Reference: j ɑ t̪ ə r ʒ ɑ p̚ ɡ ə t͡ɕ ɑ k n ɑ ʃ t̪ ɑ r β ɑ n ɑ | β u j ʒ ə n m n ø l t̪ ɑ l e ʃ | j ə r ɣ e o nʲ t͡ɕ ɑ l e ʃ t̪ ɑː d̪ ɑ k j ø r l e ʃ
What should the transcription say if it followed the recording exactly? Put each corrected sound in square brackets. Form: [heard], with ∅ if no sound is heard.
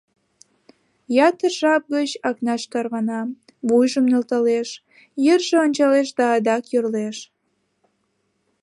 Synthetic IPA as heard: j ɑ t̪ ə r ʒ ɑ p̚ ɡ ə t͡ɕ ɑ k n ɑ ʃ t̪ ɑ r β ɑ n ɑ | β u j ʒ ə [∅] m n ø l t̪ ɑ l e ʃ | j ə r [ʒ] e o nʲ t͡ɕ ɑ l e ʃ [d̪] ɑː d̪ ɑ k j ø r l e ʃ

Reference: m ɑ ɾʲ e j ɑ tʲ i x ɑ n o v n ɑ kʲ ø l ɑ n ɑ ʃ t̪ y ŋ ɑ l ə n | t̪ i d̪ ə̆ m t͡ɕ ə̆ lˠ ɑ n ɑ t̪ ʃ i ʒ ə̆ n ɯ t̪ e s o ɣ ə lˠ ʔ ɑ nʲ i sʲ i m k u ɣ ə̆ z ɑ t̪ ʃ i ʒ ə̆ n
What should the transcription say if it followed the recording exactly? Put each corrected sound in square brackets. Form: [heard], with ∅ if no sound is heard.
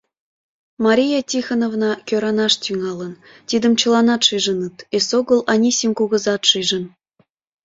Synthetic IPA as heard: m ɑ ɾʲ [i] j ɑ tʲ i x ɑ n o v n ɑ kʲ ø [ɾ] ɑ n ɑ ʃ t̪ y ŋ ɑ l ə n | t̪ i d̪ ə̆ m t͡ɕ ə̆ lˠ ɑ n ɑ t̪ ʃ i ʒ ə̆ n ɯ t̪ e s o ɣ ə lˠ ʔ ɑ nʲ i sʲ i m k u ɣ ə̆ z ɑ t̪ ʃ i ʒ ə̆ n

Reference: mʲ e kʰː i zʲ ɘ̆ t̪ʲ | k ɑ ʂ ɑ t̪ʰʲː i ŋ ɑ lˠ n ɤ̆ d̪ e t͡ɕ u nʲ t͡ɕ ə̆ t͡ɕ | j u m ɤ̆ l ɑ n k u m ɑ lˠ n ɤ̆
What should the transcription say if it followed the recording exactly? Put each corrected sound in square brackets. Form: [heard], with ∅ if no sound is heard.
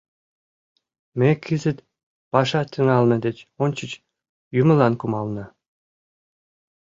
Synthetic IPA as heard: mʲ e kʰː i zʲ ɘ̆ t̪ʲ | [p] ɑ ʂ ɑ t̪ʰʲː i ŋ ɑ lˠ n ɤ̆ d̪ e t͡ɕ [o] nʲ t͡ɕ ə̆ t͡ɕ | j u m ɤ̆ l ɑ n k u m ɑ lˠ n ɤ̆

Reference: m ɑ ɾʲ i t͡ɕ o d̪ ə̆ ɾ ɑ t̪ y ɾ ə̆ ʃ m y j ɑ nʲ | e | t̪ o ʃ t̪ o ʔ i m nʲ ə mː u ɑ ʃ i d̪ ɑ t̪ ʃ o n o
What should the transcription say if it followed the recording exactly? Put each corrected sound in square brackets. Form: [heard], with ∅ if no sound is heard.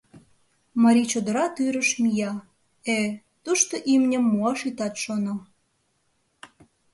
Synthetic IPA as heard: m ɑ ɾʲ i t͡ɕ o d̪ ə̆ ɾ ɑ t̪ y ɾ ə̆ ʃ m [i] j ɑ [∅] | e | t̪ [u] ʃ t̪ o ʔ i m nʲ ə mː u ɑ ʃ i [t̪] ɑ t̪ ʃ o n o

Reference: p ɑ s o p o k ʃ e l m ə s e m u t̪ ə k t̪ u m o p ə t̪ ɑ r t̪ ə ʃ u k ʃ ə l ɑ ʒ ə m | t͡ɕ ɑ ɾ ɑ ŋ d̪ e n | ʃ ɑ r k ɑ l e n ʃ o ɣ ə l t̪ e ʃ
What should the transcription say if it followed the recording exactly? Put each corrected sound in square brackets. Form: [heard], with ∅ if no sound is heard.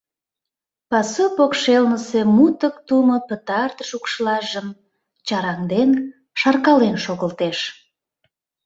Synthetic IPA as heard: p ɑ s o p o k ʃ e l [n] ə s e m u t̪ ə k t̪ u m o p ə t̪ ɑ r t̪ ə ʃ u k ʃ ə l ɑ ʒ ə m | t͡ɕ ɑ ɾ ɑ ŋ d̪ e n | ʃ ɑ r k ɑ l e n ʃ o ɣ ə l t̪ e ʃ

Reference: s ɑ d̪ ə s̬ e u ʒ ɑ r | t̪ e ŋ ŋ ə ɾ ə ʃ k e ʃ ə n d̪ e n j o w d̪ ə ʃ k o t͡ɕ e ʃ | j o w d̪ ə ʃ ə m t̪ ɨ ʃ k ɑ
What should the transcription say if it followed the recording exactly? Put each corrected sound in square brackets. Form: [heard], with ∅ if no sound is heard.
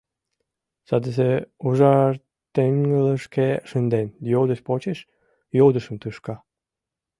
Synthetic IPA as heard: s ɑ d̪ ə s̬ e u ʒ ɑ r | t̪ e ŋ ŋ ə [l] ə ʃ k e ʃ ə n d̪ e n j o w d̪ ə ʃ [p] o t͡ɕ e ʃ | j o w d̪ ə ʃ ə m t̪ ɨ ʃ k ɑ

